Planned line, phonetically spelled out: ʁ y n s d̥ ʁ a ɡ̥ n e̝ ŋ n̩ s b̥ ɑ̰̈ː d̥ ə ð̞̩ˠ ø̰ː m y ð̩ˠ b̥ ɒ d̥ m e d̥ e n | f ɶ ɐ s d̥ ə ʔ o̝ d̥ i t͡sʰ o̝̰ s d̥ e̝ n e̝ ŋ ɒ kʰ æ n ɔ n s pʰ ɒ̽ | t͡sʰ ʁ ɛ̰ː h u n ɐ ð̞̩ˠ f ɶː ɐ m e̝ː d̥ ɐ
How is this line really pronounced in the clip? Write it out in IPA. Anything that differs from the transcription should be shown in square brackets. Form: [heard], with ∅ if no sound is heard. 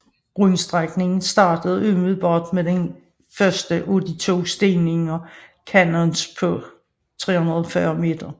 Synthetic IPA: ʁ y n s d̥ ʁ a ɡ̥ n e̝ ŋ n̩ s [d̥] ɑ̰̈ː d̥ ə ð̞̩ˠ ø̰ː m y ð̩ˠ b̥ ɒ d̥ m e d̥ e n | f ɶ ɐ s d̥ ə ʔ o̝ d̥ i t͡sʰ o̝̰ s d̥ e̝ n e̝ ŋ ɒ kʰ æ n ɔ n s pʰ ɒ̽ | t͡sʰ ʁ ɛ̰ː h u n ɐ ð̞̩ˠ f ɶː ɐ m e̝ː d̥ ɐ

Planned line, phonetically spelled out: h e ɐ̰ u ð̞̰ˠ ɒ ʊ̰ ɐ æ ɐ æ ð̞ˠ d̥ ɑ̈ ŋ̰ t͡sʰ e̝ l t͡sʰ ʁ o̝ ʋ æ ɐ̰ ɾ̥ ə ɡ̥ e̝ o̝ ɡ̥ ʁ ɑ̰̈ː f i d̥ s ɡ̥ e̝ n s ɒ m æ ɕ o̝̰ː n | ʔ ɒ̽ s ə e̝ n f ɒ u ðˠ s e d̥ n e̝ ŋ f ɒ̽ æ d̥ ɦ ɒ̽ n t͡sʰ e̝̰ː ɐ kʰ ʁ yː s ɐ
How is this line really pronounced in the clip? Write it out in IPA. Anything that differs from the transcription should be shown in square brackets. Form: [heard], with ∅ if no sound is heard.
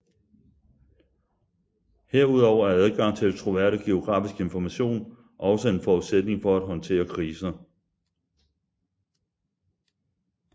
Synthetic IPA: h e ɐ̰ u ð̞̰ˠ ɒ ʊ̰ ɐ æ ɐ æ ð̞ˠ [ɡ̥] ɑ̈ ŋ̰ t͡sʰ e̝ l t͡sʰ ʁ o̝ ʋ æ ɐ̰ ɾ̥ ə ɡ̥ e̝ o̝ ɡ̥ ʁ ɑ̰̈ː f i [∅] s ɡ̥ e̝ n [f] ɒ m æ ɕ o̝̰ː n | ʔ ɒ̽ s ə e̝ n f ɒ u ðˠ s e d̥ n e̝ ŋ f ɒ̽ æ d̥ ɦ ɒ̽ n t͡sʰ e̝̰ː ɐ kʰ ʁ [iː] s ɐ

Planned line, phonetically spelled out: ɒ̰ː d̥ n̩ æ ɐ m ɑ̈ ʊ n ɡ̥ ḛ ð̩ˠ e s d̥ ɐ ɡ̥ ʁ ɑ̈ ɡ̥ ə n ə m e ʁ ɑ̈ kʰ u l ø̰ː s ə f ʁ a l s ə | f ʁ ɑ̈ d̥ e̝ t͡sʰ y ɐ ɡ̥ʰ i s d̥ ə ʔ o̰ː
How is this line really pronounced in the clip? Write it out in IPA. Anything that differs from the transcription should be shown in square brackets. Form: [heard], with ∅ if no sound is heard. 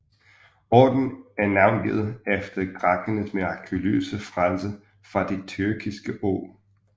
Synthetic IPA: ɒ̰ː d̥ n̩ æ ɐ [n] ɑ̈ ʊ n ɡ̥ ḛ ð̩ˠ e [f] d̥ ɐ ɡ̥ ʁ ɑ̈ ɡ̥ ə n ə m e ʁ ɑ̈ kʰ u l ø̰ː s ə f ʁ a l s ə | f ʁ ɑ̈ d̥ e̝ t͡sʰ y ɐ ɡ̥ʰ i s [ɡ̥] ə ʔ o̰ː

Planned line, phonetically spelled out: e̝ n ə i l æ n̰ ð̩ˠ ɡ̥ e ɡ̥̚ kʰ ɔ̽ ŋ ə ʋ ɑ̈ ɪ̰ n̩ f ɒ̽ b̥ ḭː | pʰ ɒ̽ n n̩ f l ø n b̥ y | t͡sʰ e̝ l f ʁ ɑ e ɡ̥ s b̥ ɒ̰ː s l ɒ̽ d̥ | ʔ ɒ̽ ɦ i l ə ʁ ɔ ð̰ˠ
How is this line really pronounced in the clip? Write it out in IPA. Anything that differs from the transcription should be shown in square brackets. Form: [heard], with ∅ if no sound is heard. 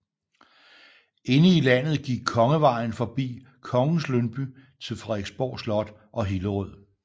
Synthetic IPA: e̝ n ə i l æ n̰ ð̩ˠ ɡ̥ [i] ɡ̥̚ kʰ [ɒ̽] ŋ ə ʋ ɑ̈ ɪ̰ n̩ f ɒ̽ b̥ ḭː | [kʰ] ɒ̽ [ŋ] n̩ [s] l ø n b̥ y | t͡sʰ e̝ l f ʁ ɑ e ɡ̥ s b̥ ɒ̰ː s l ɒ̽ d̥ | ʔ ɒ̽ ɦ i l ə ʁ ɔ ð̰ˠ

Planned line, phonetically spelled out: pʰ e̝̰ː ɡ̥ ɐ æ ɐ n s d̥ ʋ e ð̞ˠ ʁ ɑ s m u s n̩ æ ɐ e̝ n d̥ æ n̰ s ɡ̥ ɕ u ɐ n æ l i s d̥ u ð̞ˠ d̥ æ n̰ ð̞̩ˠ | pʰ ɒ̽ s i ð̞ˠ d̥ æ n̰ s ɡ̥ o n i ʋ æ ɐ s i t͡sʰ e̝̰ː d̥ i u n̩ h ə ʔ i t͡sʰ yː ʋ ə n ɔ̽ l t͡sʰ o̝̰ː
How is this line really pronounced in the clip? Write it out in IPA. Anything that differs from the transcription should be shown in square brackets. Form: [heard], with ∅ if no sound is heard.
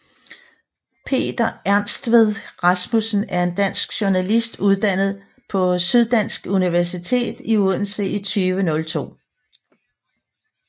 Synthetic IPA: pʰ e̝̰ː [d̥] ɐ æ ɐ n s d̥ ʋ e ð̞ˠ ʁ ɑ s m u s n̩ æ ɐ e̝ n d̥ æ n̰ s ɡ̥ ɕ u ɐ n æ l i s d̥ u ð̞ˠ d̥ æ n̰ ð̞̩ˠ | pʰ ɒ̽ s [y] ð̞ˠ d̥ æ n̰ s ɡ̥ [u] n i ʋ æ ɐ s i t͡sʰ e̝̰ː d̥ i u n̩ [s] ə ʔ i t͡sʰ yː ʋ ə n ɔ̽ l t͡sʰ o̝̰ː

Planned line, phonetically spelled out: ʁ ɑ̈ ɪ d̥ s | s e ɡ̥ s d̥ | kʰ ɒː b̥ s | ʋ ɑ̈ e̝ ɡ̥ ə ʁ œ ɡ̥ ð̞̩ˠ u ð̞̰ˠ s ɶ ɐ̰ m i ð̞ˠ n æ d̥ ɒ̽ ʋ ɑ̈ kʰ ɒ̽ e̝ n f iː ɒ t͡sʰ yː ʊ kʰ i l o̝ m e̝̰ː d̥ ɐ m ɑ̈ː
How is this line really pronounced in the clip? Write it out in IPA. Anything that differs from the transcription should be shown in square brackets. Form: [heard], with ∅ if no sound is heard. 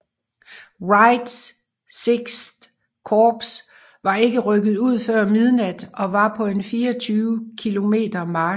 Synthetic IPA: ʁ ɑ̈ ɪ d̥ s | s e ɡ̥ s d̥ | kʰ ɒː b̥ s | ʋ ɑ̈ e̝ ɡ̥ ə ʁ œ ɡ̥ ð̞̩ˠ u ð̞̰ˠ [f] ɶ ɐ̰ m i ð̞ˠ n æ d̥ ɒ̽ ʋ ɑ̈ [pʰ] ɒ̽ e̝ n f iː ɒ t͡sʰ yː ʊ kʰ i l o̝ m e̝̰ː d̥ ɐ m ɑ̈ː

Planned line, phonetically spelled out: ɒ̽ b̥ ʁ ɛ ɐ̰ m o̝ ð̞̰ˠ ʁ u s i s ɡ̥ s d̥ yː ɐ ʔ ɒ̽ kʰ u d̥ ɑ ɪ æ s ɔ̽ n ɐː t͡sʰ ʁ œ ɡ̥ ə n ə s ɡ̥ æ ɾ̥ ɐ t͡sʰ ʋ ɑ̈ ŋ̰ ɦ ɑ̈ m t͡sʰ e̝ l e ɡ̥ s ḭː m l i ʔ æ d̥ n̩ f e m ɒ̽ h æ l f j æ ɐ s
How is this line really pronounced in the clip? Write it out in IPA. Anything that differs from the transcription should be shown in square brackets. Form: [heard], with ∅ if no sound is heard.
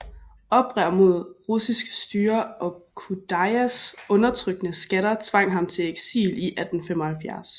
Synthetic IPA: ɒ̽ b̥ ʁ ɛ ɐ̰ m o̝ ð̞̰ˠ ʁ u s i s ɡ̥ s d̥ yː ɐ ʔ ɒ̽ kʰ u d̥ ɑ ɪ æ s ɔ̽ n [ɐ] t͡sʰ ʁ œ ɡ̥ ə n ə s ɡ̥ æ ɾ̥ ɐ t͡sʰ ʋ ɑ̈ ŋ̰ ɦ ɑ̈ m t͡sʰ e̝ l e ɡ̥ s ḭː [∅] l i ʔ æ d̥ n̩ f e m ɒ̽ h æ l f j æ ɐ s

